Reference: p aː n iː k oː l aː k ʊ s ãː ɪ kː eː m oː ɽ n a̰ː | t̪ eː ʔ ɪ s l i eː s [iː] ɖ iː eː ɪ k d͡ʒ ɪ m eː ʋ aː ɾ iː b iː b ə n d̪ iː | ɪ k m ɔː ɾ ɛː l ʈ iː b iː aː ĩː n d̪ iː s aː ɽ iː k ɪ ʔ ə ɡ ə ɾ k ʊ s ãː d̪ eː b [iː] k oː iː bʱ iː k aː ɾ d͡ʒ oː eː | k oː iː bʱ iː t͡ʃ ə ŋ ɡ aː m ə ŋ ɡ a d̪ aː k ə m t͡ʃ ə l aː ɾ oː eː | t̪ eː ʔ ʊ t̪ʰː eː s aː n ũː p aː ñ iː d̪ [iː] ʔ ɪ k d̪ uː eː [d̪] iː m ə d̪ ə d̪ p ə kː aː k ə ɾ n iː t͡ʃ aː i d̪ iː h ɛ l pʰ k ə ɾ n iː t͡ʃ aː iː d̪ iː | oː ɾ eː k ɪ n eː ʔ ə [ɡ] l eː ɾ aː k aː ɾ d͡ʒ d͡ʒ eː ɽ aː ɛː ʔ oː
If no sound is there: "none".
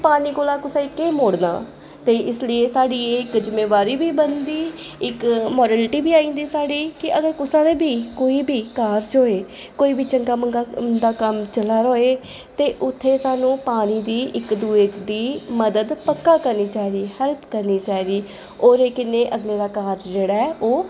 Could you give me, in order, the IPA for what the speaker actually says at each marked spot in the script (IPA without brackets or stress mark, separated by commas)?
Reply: aː, iː, iː, d̪, ɡ